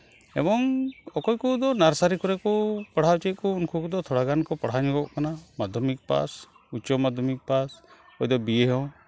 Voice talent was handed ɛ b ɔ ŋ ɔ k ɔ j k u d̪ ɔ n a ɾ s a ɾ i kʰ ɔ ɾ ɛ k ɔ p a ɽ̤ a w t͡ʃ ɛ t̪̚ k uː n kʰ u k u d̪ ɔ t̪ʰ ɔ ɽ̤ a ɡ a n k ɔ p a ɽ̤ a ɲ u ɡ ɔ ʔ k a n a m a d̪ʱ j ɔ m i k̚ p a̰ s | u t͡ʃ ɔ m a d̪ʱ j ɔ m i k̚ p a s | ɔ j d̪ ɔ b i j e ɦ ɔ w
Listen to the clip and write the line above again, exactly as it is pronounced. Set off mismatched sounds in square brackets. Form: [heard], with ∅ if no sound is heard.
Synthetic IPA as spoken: ɛ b ɔ ŋ ɔ k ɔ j k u d̪ ɔ n a ɾ s a ɾ i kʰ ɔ ɾ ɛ k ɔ p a ɽ̤ a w t͡ʃ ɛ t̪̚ k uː n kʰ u k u d̪ ɔ t̪ʰ ɔ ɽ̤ a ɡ a n k ɔ p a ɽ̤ a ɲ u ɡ ɔ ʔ k a n a m a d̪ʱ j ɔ m i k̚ p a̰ s | u t͡ʃ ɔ m a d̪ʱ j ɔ m i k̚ p a s | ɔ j d̪ ɔ b i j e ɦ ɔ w